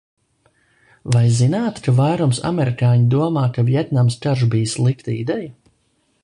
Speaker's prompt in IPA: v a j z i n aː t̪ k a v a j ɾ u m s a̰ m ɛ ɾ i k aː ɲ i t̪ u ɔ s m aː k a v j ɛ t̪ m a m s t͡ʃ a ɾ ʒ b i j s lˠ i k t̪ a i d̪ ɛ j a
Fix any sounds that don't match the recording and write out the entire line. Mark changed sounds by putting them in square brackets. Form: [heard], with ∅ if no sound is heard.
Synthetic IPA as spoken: v a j z i n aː t̪ k a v a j ɾ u m s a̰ m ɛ ɾ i k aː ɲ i [d̪] u ɔ [∅] m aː k a v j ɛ t̪ [n] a m s t͡ʃ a ɾ ʒ b i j s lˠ i k t̪ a i d̪ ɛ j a